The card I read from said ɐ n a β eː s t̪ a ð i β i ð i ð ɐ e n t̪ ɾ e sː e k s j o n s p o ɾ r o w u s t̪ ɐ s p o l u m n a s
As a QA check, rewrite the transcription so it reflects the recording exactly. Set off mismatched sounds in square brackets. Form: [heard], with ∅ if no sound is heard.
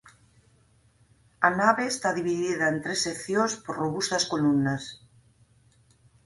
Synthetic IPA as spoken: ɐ n a β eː s t̪ a ð i β i ð i ð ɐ e n t̪ ɾ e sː e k [θ] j o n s p o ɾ r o [β] u s t̪ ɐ s [k] o l u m n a s